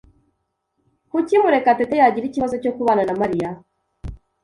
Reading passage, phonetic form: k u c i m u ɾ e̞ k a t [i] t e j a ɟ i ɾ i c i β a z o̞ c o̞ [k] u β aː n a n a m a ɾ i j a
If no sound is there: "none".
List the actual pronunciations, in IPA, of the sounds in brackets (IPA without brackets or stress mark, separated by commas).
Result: e, k